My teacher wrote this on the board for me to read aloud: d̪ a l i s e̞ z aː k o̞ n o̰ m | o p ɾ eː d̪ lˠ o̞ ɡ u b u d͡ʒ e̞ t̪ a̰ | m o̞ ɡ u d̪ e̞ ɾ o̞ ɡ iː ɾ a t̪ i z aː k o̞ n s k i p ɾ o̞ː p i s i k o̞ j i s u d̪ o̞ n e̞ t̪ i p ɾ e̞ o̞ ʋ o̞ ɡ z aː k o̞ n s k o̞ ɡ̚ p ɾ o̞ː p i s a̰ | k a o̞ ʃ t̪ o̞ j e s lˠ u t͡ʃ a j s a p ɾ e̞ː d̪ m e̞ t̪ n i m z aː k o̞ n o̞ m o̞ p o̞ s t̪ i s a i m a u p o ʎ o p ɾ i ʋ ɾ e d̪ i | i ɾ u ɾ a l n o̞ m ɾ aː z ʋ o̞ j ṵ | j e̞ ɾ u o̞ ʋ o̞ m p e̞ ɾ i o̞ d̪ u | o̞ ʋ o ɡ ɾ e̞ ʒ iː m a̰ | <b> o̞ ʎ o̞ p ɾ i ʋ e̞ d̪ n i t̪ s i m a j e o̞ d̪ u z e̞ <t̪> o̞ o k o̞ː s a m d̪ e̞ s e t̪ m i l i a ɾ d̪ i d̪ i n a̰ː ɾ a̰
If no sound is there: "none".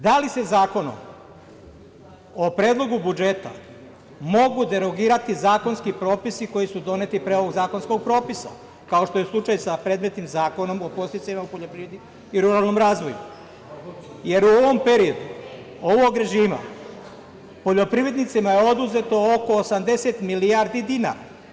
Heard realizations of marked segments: p, t̪

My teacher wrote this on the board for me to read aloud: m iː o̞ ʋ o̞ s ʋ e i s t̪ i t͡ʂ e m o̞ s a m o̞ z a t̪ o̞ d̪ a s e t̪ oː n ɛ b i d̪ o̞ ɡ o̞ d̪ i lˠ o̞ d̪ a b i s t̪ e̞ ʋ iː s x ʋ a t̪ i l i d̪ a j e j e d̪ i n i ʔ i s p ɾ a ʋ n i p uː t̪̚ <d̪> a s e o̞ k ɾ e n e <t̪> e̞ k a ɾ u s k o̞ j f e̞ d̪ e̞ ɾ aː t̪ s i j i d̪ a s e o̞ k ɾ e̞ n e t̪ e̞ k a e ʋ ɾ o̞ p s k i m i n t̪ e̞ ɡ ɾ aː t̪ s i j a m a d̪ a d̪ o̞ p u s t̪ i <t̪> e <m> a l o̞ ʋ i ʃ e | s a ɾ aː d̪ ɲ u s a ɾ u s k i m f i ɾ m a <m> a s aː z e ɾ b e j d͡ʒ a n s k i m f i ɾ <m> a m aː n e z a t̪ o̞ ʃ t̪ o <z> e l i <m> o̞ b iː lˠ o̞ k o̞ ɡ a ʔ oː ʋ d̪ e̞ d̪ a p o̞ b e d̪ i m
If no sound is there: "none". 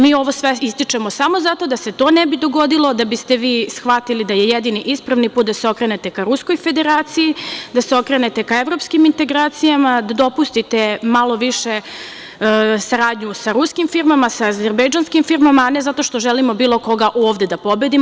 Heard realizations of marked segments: d̪, t̪, t̪, m, m, m, ʒ, m

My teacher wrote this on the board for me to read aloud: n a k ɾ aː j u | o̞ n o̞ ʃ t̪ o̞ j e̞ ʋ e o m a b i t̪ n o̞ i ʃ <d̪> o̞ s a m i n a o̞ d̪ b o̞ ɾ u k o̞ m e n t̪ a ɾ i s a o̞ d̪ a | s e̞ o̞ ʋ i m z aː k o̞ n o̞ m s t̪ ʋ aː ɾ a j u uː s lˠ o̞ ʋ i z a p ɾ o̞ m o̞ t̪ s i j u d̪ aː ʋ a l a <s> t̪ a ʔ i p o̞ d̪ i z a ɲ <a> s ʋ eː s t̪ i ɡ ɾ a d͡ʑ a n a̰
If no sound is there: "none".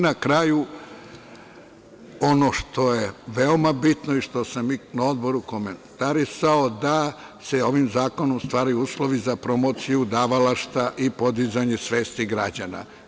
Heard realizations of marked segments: t̪, ʃ, e

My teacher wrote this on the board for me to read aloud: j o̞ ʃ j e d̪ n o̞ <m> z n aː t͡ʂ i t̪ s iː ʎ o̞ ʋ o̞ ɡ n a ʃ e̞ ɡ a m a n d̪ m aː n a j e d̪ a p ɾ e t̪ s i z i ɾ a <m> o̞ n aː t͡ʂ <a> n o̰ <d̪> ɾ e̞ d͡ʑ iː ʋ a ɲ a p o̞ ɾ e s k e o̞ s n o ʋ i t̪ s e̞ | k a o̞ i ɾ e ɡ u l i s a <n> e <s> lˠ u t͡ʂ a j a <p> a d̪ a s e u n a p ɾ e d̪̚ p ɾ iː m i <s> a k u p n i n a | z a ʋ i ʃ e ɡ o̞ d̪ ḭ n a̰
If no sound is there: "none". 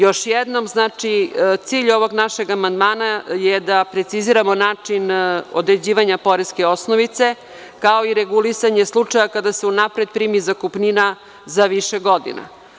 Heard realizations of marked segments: m, m, i, d̪, ɲ, s, k, z

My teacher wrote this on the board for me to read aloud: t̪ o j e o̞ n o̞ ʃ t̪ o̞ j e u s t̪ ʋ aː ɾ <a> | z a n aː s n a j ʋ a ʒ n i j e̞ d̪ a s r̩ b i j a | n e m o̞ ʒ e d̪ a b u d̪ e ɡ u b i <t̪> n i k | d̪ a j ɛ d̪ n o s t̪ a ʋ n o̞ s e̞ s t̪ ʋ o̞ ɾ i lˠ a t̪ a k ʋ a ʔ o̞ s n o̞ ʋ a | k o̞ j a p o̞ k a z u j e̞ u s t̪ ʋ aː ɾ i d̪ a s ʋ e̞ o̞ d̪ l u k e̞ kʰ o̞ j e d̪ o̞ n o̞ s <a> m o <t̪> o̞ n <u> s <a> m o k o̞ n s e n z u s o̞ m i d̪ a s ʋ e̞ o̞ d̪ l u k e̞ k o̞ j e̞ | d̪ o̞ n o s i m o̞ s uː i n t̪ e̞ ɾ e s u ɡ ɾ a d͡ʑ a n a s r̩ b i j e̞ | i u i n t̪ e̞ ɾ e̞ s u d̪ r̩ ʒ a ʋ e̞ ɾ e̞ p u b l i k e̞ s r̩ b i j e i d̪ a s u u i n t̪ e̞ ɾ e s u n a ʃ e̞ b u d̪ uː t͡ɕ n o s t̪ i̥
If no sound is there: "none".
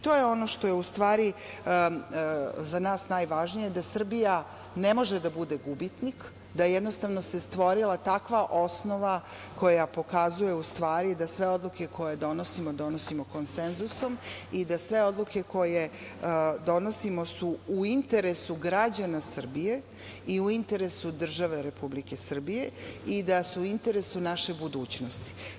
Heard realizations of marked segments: i, t̪, i, d̪, o, i

